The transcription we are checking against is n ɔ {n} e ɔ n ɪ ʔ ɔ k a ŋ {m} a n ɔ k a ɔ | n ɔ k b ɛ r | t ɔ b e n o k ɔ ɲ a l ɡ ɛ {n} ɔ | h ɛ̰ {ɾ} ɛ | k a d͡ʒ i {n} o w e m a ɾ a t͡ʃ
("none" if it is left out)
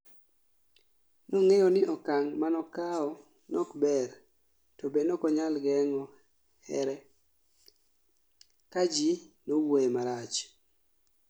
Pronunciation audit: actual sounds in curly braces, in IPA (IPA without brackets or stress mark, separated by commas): ŋ, m, ŋ, ɾ, n